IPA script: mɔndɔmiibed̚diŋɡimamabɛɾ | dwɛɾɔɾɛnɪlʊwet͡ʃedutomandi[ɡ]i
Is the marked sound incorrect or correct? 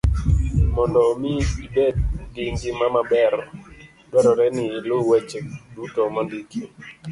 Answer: incorrect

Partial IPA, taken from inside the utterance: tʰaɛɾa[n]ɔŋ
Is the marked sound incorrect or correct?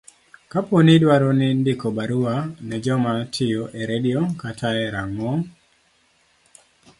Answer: incorrect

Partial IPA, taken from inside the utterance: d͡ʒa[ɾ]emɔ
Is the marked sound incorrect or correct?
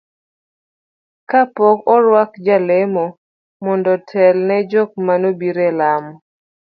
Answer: incorrect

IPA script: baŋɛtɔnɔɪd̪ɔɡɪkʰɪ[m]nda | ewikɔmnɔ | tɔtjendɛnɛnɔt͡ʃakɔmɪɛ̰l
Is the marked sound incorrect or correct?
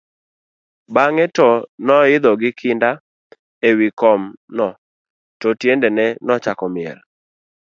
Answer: incorrect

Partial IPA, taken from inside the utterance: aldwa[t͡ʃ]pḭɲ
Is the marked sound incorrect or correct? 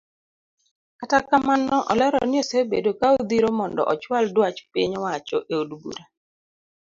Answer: correct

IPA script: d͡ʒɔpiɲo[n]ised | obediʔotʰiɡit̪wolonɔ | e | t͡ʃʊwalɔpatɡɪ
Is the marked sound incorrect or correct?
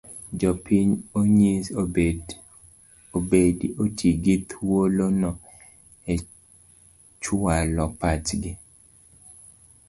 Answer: incorrect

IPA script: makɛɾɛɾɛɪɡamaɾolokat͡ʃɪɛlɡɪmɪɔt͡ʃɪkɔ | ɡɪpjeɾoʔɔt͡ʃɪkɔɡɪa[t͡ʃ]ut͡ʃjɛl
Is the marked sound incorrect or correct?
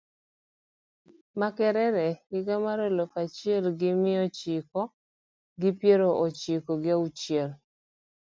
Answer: incorrect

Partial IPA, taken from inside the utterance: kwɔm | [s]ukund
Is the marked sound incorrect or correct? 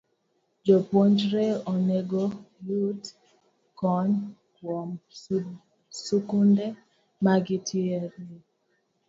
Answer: correct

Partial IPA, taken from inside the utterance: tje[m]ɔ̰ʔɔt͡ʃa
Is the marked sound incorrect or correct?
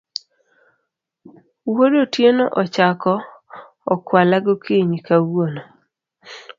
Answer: incorrect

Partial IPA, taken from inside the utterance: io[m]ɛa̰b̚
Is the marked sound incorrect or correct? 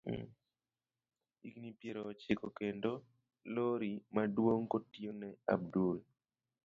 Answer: incorrect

